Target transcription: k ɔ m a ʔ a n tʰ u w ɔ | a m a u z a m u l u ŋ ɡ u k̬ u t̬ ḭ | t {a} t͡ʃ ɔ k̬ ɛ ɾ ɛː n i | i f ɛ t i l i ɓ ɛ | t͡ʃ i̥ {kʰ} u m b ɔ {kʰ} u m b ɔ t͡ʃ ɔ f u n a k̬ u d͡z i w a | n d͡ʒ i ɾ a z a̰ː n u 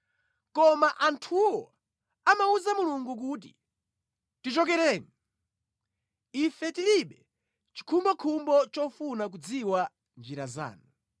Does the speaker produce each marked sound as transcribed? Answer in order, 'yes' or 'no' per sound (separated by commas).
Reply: no, yes, yes